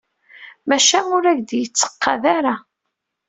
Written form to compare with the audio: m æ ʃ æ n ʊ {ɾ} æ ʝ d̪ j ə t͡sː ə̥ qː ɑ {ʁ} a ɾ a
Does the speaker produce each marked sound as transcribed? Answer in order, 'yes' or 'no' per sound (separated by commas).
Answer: yes, no